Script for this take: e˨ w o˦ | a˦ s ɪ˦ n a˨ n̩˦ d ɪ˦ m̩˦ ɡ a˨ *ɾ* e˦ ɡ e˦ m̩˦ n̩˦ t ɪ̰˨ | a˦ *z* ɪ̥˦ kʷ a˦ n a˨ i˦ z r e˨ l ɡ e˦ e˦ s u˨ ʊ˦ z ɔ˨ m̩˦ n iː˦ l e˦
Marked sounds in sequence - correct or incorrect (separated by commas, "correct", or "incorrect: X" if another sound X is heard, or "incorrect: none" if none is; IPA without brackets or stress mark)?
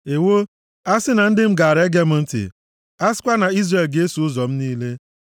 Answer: correct, incorrect: s